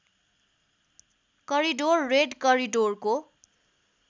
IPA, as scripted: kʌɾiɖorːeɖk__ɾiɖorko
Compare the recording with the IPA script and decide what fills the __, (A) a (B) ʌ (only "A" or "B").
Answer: B